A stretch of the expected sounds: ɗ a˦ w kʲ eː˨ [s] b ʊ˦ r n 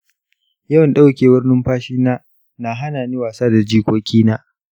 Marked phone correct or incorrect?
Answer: incorrect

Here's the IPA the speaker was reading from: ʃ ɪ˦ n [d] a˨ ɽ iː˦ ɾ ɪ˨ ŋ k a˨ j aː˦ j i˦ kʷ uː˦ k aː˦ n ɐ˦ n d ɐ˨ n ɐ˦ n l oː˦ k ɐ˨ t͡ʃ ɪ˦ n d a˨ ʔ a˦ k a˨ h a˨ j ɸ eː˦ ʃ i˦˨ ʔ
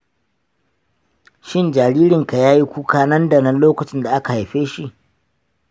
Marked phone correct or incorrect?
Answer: incorrect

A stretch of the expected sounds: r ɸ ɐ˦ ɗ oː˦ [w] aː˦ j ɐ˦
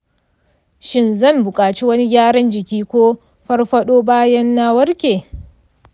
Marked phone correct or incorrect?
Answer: incorrect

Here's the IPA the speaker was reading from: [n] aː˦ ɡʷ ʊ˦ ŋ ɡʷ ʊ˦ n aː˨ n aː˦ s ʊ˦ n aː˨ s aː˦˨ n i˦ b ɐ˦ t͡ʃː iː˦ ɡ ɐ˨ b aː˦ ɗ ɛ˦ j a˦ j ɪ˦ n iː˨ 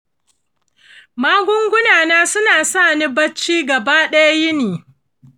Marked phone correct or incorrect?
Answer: incorrect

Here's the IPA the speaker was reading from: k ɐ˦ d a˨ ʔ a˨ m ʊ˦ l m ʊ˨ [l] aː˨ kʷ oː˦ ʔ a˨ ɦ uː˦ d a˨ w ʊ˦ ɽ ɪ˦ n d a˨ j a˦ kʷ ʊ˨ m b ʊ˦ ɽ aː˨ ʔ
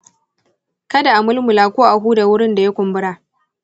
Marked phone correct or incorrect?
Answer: correct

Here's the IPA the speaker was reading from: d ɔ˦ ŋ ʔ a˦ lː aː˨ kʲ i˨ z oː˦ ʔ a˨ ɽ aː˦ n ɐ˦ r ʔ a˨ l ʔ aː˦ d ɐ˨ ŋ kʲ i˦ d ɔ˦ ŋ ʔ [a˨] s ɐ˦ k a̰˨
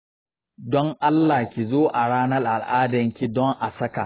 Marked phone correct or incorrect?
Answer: correct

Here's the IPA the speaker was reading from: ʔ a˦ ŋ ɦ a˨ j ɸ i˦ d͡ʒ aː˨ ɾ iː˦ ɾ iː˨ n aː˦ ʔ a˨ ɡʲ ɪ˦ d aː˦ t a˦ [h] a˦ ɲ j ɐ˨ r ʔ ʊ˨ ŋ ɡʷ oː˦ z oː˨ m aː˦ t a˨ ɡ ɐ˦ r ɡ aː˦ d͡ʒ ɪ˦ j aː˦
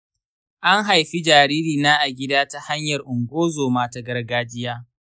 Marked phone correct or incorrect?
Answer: correct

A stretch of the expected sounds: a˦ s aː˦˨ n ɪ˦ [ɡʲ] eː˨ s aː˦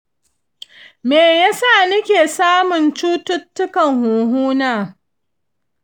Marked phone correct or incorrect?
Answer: incorrect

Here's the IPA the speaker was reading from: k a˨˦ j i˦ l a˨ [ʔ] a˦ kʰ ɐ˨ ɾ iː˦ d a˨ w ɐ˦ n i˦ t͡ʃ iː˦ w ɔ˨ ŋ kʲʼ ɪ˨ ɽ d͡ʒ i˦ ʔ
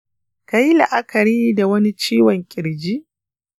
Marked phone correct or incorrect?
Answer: correct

